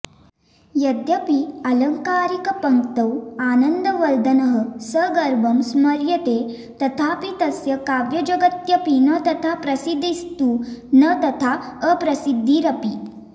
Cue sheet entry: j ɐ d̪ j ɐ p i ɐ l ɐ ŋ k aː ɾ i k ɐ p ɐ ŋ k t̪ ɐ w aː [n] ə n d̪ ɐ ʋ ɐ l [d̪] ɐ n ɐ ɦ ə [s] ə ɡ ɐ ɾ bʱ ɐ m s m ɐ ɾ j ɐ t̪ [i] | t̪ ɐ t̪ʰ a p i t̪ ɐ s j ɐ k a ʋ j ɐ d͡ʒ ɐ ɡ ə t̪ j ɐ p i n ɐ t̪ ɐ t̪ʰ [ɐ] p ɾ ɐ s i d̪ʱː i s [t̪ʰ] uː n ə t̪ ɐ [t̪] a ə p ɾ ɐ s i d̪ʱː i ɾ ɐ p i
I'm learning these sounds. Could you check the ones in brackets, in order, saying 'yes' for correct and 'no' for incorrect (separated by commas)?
yes, yes, yes, no, no, no, no